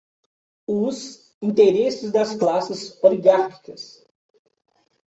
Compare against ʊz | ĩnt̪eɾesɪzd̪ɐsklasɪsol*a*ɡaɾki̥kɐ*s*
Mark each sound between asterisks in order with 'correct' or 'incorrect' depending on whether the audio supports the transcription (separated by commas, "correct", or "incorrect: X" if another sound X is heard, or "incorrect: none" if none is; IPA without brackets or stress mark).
incorrect: i, correct